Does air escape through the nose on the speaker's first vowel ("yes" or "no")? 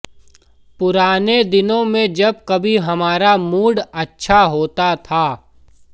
no